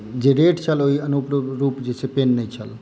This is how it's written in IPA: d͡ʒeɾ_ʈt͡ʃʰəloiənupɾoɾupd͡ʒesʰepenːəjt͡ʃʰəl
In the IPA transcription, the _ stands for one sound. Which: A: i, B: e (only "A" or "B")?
B